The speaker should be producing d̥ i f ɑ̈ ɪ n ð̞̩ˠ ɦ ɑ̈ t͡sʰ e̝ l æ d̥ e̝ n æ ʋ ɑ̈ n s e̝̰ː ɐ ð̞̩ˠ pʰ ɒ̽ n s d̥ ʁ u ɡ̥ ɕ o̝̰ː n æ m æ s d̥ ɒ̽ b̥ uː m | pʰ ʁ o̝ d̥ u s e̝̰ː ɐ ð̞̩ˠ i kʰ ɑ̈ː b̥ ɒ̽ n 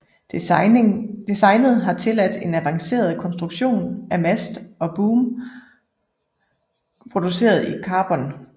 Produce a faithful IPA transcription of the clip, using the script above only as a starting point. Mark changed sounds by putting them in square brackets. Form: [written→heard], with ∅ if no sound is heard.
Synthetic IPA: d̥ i [f→s] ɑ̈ ɪ n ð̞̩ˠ ɦ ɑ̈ t͡sʰ e̝ l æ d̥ e̝ n æ ʋ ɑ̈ [n→ŋ] s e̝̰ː ɐ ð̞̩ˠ [pʰ→kʰ] ɒ̽ n s d̥ ʁ u ɡ̥ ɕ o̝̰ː n æ m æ s d̥ ɒ̽ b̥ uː m | pʰ ʁ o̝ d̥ u s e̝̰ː ɐ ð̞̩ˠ i kʰ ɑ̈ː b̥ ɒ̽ n